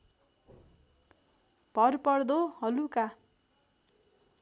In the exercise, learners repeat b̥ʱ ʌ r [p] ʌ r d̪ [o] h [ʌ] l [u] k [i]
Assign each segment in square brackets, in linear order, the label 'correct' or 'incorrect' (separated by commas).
correct, correct, correct, correct, incorrect